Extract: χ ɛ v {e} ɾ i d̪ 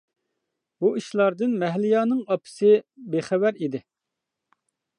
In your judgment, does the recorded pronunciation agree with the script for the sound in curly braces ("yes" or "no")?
no